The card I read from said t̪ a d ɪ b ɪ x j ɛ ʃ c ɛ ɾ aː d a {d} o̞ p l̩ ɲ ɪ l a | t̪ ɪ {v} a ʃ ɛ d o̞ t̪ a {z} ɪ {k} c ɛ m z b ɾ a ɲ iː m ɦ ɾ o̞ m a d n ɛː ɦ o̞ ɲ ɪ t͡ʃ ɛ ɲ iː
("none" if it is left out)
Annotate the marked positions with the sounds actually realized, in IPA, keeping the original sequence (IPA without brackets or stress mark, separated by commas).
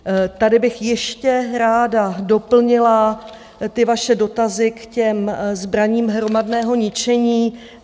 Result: d, v, z, k